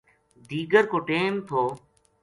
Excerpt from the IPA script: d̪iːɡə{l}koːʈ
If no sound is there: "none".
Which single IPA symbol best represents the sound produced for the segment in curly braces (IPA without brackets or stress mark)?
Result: ɾ